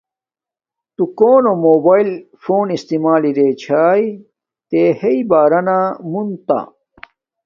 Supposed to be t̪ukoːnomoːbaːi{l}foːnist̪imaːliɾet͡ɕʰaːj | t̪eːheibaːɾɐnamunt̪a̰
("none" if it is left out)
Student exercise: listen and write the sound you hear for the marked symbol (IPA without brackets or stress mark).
l